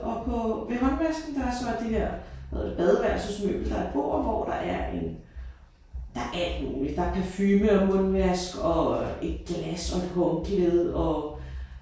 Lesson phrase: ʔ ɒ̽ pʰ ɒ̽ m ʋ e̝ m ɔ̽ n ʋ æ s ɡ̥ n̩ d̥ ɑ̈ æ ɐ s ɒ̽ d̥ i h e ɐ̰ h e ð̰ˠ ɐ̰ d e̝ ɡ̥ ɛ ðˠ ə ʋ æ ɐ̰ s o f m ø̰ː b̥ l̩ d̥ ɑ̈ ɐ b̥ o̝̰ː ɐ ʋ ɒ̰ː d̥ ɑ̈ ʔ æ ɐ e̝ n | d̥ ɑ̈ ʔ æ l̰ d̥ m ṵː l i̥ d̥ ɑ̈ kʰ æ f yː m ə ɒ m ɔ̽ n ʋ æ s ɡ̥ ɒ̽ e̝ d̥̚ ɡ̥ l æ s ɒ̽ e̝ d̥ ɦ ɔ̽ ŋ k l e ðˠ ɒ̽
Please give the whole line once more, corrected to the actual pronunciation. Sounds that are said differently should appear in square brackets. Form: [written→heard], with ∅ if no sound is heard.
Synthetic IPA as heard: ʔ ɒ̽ pʰ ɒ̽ [m→∅] ʋ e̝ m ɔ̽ n ʋ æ s ɡ̥ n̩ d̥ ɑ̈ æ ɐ s ɒ̽ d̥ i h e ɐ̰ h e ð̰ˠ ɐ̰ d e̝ [ɡ̥→b̥] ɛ ðˠ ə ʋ æ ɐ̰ s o [f→s] m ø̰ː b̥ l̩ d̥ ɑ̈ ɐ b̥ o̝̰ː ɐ ʋ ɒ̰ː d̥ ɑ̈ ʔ æ ɐ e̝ n | d̥ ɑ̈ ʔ æ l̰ d̥ m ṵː l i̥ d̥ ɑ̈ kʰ æ f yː m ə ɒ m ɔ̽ n ʋ æ s ɡ̥ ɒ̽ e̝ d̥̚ ɡ̥ l æ s ɒ̽ e̝ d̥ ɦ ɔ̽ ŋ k l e ðˠ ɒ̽